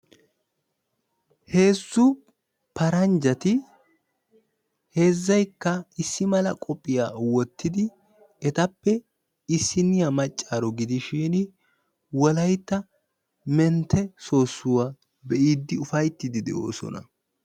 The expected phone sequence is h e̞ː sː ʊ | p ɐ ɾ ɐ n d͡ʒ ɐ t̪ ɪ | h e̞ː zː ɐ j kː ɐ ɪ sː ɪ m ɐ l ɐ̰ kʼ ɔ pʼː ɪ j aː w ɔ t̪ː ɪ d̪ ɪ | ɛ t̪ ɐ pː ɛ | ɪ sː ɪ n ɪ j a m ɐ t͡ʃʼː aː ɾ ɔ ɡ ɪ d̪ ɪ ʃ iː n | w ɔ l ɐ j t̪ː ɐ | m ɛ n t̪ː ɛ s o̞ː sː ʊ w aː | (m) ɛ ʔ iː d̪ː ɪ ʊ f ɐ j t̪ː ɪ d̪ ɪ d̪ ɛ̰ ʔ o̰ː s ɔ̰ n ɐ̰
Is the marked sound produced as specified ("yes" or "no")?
no